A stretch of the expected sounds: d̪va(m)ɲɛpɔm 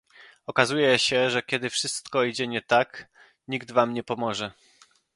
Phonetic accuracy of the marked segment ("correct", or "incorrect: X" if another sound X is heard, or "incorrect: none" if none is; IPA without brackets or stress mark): correct